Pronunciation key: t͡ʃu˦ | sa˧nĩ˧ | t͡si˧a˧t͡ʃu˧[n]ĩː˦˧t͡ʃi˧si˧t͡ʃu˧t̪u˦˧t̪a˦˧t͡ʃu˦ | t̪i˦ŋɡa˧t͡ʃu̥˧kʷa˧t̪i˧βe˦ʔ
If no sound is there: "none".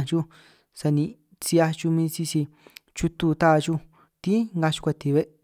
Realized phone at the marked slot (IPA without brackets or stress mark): m